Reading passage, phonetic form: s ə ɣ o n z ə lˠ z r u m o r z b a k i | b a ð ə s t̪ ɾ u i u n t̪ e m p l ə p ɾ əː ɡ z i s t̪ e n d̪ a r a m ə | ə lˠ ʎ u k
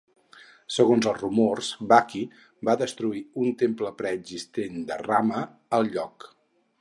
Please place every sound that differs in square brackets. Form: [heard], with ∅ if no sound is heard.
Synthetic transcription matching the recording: s ə ɣ o n z ə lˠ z r u m o r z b a k i | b a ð ə s t̪ ɾ u i u n t̪ e m p l ə p ɾ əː ɡ z i s t̪ e n d̪ [ə] r a m ə | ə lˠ ʎ [ɔ] k